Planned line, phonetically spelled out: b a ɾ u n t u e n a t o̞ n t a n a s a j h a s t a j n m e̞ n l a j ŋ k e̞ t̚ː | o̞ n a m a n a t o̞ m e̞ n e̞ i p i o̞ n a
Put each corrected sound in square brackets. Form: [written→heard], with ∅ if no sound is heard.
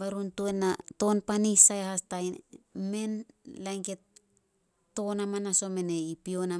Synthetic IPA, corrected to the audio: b a ɾ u n t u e n a t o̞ n [t→p] a n [a→i] s a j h a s t a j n m e̞ n l a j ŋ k e̞ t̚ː | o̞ n a m a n a [t→s] o̞ m e̞ n e̞ i p i o̞ n a